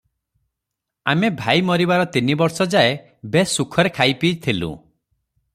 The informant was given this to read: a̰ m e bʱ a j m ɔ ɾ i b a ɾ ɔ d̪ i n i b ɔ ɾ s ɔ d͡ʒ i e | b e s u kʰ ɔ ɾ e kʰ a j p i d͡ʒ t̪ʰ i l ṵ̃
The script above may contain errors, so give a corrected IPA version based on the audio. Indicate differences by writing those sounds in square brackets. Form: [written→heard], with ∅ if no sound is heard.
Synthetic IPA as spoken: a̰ m e bʱ a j m ɔ ɾ i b a ɾ ɔ [d̪→t̪] i n i b ɔ ɾ s ɔ d͡ʒ [i→a] e | b e s u kʰ ɔ ɾ e kʰ a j p i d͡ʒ t̪ʰ i l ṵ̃